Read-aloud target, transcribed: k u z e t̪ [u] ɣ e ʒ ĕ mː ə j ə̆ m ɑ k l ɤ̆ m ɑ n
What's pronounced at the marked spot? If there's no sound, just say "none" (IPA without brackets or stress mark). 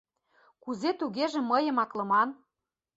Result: u